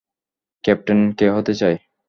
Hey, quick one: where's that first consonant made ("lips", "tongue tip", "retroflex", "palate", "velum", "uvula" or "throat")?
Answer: velum